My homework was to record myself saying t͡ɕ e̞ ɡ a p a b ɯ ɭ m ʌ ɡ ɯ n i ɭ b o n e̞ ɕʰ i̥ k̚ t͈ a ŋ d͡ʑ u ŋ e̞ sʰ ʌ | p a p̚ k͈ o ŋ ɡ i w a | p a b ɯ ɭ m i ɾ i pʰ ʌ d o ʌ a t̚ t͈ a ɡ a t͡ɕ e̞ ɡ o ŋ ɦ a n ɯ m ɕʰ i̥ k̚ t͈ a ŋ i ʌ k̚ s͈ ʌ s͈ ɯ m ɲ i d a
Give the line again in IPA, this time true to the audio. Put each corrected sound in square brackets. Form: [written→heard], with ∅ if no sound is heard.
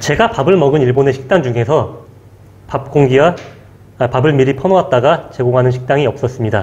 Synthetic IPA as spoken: t͡ɕ e̞ ɡ a p a b ɯ ɭ m ʌ ɡ ɯ n i ɭ b o n e̞ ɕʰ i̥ k̚ t͈ a ŋ d͡ʑ u ŋ e̞ sʰ ʌ | p a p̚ k͈ o ŋ ɡ i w a | p a b ɯ ɭ m i ɾ i pʰ ʌ [d→n] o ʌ a t̚ t͈ a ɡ a t͡ɕ e̞ ɡ o ŋ ɦ a n ɯ [m→n] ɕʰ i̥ k̚ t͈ a ŋ i ʌ [k̚→p̚] s͈ ʌ s͈ ɯ m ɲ i d a